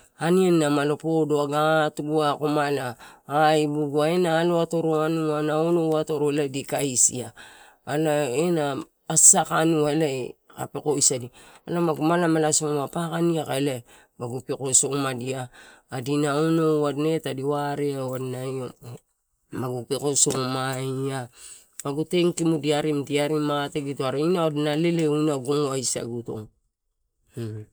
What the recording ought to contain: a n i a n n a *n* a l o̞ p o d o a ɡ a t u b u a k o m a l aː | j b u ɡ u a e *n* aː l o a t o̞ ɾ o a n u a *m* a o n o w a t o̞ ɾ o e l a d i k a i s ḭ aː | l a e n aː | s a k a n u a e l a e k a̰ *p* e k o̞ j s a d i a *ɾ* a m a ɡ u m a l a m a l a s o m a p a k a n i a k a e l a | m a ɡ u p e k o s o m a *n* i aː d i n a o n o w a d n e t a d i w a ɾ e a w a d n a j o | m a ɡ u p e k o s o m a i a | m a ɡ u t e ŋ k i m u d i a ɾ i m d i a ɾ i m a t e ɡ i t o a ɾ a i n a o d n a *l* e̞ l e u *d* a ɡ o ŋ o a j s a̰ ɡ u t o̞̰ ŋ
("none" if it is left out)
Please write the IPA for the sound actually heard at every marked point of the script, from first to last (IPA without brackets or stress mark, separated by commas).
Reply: m, n, n, p, l, d, l, n